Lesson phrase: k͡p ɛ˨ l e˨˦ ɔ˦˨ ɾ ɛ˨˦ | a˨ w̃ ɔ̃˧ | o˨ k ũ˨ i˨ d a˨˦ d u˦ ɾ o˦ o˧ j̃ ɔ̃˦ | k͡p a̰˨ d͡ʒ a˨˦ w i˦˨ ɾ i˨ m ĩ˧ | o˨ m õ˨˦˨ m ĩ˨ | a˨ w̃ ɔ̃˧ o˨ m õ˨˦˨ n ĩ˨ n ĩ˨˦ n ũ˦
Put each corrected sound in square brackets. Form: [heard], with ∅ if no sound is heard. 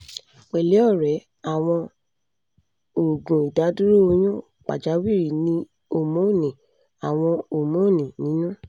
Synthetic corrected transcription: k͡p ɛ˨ l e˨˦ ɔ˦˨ ɾ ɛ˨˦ | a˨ w̃ ɔ̃˧ | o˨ [ɡ] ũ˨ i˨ d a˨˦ d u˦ ɾ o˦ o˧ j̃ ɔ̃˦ | k͡p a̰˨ d͡ʒ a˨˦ w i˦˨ ɾ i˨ [n] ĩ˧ | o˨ m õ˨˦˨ [n] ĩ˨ | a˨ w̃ ɔ̃˧ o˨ m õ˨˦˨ n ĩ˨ n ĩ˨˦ n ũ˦